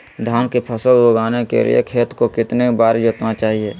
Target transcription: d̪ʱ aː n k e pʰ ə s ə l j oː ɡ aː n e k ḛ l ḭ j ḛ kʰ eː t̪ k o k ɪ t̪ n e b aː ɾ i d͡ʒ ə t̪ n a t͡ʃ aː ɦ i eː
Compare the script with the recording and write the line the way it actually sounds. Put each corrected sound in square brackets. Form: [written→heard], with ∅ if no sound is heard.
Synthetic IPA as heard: d̪ʱ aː n k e pʰ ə s ə l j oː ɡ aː n e k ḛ l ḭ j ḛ kʰ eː t̪ k o k ɪ t̪ n e b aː ɾ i d͡ʒ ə t̪ n a t͡ʃ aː ɦ i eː